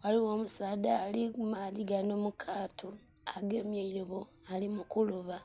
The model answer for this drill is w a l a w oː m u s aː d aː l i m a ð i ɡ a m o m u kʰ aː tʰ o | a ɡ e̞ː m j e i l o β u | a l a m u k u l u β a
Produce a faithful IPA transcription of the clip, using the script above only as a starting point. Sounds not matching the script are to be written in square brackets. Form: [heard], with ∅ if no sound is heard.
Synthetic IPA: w a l [i] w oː m u s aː d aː l i m a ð i ɡ a [n] o m u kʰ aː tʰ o | a ɡ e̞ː m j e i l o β [o] | a l [i] m u k u l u β a